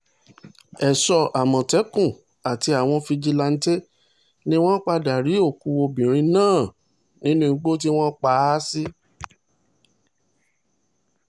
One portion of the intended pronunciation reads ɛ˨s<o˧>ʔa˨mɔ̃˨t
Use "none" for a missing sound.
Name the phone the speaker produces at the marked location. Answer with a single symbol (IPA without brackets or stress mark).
ɔ˧